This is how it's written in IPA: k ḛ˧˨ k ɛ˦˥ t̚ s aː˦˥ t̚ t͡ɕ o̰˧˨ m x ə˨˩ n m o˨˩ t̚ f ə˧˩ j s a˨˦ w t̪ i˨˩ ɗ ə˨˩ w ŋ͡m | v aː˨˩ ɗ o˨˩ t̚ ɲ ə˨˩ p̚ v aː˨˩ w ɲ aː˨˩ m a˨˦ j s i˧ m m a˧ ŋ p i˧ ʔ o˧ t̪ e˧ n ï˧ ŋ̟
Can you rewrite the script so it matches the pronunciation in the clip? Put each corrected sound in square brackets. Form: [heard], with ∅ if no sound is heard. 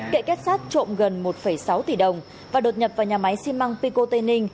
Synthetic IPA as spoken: k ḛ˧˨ k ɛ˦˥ t̚ s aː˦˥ t̚ t͡ɕ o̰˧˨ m [ɣ] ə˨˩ n m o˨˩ t̚ f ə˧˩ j s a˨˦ w t̪ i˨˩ ɗ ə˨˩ w ŋ͡m | v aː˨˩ ɗ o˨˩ t̚ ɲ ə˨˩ p̚ v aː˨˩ w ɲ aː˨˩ m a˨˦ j s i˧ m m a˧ ŋ p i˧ [k] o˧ t̪ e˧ n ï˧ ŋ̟